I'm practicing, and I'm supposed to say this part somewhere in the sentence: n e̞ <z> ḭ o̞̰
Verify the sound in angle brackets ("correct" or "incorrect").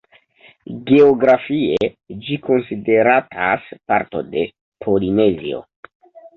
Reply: correct